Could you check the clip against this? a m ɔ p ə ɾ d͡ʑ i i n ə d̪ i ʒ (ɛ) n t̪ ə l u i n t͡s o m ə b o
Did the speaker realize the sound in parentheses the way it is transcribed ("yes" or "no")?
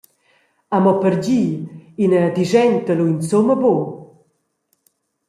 yes